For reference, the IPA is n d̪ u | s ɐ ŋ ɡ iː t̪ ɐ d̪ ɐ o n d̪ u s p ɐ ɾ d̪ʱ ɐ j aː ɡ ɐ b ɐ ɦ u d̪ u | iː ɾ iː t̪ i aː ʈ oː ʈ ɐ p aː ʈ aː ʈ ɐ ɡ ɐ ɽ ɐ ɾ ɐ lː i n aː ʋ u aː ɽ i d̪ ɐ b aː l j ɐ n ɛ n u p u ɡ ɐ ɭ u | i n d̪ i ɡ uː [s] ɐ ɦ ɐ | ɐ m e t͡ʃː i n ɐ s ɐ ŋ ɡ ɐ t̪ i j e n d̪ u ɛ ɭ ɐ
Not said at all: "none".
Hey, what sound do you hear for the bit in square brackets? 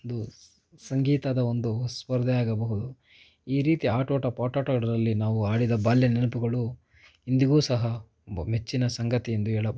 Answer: s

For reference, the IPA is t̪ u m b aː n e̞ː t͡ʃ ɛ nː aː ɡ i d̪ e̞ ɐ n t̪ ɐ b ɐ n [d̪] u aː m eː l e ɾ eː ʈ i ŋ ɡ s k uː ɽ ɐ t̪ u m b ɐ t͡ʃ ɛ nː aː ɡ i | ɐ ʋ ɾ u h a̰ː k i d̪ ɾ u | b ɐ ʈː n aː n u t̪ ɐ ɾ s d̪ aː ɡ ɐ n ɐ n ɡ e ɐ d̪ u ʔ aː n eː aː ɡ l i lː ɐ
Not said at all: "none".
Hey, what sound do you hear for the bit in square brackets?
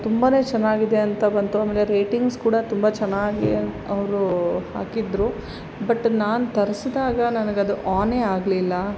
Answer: t̪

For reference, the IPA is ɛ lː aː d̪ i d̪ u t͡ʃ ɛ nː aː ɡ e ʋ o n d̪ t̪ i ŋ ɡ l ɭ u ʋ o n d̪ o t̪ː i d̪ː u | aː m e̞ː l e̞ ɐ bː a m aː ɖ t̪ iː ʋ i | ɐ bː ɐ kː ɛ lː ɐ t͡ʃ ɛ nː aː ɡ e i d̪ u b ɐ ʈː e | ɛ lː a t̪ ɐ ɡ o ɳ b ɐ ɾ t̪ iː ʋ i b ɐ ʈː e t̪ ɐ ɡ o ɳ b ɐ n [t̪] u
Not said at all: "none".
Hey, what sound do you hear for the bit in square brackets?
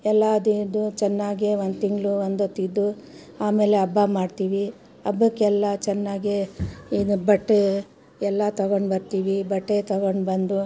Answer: d̪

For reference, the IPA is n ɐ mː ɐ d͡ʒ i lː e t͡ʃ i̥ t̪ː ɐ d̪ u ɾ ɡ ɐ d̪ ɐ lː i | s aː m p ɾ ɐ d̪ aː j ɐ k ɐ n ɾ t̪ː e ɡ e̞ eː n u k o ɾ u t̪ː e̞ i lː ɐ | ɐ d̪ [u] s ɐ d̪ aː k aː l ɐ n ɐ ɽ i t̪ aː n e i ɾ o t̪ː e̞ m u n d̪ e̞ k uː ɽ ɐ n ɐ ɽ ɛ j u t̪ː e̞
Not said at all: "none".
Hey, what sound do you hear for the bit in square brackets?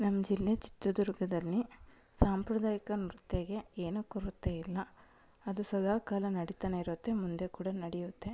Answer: u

